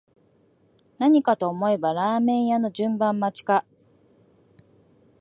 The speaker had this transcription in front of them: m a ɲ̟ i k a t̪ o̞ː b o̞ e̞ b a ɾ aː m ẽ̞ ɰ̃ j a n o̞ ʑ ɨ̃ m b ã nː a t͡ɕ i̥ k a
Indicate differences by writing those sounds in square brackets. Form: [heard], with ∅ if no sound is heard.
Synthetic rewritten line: [n] a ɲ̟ i k a t̪ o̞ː [m] o̞ e̞ b a ɾ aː m ẽ̞ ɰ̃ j a n o̞ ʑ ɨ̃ m b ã [mː] a t͡ɕ i̥ k a